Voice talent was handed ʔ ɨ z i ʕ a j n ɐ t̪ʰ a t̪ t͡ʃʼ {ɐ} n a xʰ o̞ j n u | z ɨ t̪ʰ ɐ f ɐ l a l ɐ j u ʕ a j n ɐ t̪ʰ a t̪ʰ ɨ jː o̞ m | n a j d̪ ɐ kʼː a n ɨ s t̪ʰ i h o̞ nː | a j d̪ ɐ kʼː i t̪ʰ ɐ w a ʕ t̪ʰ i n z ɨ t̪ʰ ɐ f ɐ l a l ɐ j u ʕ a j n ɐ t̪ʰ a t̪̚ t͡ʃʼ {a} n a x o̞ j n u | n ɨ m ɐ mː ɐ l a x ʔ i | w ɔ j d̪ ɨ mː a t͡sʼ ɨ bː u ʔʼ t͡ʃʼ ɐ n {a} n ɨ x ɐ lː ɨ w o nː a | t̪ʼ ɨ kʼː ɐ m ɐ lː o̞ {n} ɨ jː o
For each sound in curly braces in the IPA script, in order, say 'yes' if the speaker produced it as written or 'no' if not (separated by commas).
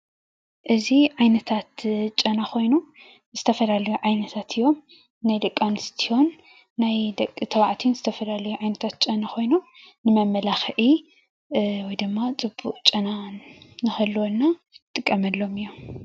yes, no, yes, no